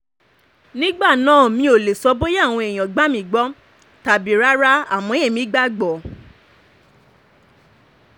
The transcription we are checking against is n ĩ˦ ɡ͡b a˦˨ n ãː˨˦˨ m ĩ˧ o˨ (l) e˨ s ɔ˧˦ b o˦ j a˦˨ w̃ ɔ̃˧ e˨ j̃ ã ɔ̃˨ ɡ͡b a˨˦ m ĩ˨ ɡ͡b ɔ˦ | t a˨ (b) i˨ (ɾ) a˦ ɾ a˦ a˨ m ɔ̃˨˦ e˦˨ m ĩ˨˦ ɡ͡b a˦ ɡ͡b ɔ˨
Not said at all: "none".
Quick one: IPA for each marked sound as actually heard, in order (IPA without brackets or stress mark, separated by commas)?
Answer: l, b, ɾ